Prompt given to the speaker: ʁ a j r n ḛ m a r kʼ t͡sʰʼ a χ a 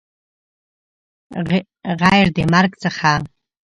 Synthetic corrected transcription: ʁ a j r d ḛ m a r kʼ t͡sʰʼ a χ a